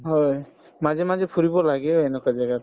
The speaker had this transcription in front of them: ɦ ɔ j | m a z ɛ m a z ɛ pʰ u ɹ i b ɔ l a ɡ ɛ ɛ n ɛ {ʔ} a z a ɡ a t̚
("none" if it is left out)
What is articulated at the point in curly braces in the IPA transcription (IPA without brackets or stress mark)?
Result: k